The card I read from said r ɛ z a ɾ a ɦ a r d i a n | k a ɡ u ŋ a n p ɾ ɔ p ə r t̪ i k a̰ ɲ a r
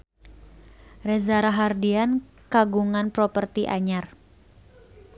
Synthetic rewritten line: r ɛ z a ɾ a ɦ a r d i a n | k a ɡ u ŋ a n p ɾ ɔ p ə r t̪ i ʔ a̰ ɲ a r

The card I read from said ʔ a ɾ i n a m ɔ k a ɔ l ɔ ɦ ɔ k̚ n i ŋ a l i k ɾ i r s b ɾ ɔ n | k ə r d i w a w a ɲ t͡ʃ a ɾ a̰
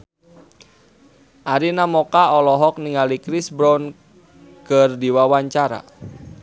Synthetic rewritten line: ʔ a ɾ i n a m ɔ k a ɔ l ɔ ɦ ɔ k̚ n i ŋ a l i k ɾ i s b ɾ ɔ n | k ə r d i w a w a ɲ t͡ʃ a ɾ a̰

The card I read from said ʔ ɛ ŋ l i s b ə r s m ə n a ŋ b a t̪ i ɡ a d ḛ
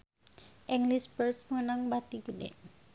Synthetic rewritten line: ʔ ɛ ŋ l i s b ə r s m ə n a ŋ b a t̪ i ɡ ə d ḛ

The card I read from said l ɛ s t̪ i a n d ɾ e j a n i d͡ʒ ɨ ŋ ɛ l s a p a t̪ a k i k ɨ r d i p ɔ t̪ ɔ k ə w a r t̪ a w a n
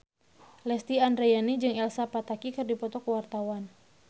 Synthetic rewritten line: l ɛ s t̪ i a n d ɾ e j a n i d͡ʒ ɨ ŋ ɛ l s a p a t̪ a k i k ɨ r d i p ɔ t̪ ɔ k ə w a r t̪ a w a n

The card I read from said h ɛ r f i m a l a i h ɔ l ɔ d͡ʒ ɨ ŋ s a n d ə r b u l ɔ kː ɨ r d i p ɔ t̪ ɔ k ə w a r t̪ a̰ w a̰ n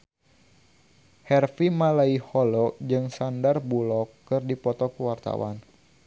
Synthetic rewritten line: h ɛ r f i m a l a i h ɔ l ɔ d͡ʒ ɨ ŋ s a n d a r b u l ɔ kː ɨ r d i p ɔ t̪ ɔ k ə w a r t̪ a̰ w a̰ n

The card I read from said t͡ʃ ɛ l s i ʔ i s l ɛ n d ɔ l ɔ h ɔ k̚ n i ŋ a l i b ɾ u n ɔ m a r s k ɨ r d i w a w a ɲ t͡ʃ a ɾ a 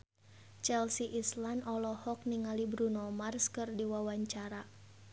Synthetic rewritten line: t͡ʃ ɛ l s i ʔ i s l a n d ɔ l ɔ h ɔ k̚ n i ŋ a l i b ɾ u n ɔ m a r s k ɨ r d i w a w a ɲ t͡ʃ a ɾ a

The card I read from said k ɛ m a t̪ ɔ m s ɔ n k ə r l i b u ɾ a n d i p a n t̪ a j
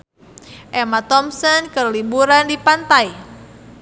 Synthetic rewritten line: ʔ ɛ m a t̪ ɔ m s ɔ n k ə r l i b u ɾ a n d i p a n t̪ a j

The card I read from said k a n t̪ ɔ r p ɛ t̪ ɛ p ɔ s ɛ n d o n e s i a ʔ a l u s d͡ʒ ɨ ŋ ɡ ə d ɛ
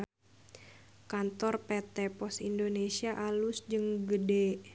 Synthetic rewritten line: k a n t̪ ɔ r p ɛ t̪ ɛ p ɔ s i n d o n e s i a ʔ a l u s d͡ʒ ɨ ŋ ɡ ə d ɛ

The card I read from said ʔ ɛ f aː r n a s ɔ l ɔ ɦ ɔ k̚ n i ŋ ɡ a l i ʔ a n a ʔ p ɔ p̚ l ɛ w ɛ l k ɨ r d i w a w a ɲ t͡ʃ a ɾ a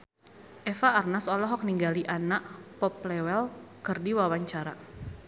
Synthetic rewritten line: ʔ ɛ f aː r n a s ɔ l ɔ ɦ ɔ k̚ n i ŋ ɡ a l i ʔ a n a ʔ p ɔ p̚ l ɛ w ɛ l k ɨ r d i w a w a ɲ t͡ʃ a ɾ a

